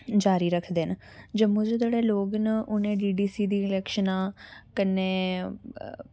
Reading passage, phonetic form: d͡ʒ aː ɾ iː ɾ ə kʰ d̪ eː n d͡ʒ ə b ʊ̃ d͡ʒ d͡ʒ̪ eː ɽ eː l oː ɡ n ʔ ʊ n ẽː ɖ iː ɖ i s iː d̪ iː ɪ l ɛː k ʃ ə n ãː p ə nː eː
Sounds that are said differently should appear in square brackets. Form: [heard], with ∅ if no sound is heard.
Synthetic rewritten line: d͡ʒ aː ɾ iː ɾ ə kʰ d̪ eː n d͡ʒ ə [m] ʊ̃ d͡ʒ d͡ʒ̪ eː ɽ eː l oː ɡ n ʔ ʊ n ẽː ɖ iː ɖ [iː] s iː d̪ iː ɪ l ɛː k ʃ ə n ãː [k] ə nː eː